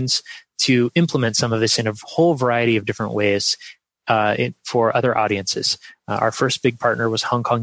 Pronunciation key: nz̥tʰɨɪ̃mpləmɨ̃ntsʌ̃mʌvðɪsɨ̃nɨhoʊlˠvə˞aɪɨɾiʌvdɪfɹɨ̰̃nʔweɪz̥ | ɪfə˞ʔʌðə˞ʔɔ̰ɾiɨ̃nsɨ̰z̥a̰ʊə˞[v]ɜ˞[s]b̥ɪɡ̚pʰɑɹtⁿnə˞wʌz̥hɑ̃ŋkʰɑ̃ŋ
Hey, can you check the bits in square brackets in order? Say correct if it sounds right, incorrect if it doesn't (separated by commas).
incorrect, correct